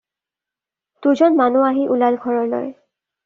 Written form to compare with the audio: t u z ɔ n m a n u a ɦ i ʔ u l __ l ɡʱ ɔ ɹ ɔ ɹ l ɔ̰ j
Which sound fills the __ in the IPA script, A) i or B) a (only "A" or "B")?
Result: B